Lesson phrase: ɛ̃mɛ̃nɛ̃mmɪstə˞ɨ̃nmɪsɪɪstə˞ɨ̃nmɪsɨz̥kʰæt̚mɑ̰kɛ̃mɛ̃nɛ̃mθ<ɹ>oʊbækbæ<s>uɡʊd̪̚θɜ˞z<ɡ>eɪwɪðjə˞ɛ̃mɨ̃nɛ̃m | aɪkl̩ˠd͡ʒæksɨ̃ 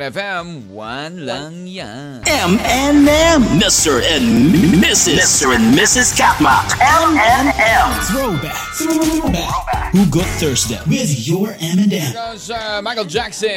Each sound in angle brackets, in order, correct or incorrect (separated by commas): correct, incorrect, incorrect